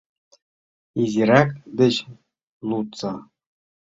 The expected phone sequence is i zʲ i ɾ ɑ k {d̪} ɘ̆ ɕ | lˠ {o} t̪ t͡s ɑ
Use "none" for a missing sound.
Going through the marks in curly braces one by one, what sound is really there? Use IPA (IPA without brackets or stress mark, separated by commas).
d̪, u